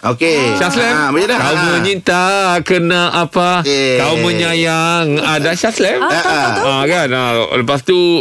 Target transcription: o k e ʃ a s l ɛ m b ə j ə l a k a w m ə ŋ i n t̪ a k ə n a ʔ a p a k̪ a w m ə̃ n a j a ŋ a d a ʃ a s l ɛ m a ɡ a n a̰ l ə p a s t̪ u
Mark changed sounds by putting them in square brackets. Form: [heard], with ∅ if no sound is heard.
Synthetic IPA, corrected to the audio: o k e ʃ a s l ɛ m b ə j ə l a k a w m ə [ɲ] i n t̪ a k ə n a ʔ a p a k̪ a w m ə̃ [ɲ] a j a ŋ a d a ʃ a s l ɛ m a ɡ a n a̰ l ə p a s t̪ u